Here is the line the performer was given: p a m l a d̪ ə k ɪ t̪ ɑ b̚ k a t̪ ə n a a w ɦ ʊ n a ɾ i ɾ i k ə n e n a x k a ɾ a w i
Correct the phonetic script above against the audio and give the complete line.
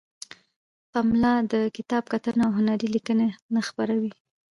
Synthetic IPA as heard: p a m l ɑ d̪ ə k ɪ t̪ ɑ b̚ k a t̪ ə n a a w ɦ ʊ n a ɾ i l i k ə n e n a x p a ɾ a w i